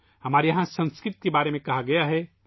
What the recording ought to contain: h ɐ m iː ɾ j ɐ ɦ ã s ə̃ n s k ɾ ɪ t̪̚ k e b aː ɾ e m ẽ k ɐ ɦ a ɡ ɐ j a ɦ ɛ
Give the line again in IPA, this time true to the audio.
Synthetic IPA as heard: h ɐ m aː ɾ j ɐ ɦ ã s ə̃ n s k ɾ ɪ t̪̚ k e b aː ɾ e m ẽ k ɐ ɦ a ɡ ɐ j a ɦ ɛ